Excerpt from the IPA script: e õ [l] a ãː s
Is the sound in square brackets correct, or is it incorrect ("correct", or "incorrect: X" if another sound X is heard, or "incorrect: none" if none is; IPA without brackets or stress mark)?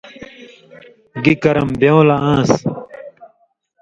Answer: correct